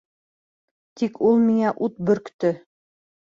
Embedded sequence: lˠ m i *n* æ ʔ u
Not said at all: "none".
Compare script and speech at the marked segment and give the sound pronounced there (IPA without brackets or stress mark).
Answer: ŋ